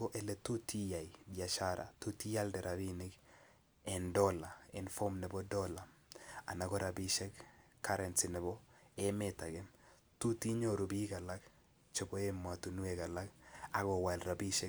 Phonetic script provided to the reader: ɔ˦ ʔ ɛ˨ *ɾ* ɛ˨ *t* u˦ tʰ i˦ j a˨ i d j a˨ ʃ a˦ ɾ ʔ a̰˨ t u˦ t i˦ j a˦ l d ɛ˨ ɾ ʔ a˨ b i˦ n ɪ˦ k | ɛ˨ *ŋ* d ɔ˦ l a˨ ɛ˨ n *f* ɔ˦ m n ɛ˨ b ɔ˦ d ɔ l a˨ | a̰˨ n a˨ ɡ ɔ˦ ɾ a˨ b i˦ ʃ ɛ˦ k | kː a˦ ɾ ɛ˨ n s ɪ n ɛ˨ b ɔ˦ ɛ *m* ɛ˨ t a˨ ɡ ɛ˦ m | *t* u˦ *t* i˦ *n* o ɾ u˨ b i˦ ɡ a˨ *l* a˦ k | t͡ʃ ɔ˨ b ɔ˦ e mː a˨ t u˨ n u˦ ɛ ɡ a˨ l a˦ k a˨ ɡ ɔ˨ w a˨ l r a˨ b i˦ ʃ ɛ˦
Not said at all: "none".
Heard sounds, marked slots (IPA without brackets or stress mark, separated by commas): l, t, n, f, m, t, t, ɲ, l